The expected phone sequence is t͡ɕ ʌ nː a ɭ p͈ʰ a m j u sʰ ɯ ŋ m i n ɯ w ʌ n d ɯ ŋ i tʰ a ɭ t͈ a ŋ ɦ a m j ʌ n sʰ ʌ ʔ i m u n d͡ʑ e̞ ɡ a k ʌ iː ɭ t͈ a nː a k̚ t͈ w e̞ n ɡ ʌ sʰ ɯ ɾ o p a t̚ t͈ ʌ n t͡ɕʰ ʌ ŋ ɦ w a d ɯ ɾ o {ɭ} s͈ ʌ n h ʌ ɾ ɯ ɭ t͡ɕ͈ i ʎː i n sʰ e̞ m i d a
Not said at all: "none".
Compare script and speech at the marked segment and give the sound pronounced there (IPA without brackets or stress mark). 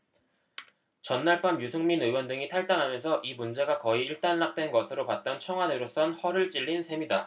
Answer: none